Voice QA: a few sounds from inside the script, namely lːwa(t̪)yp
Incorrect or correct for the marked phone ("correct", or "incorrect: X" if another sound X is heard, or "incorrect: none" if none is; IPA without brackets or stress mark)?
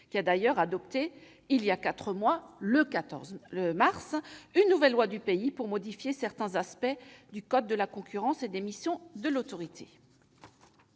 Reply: incorrect: d̪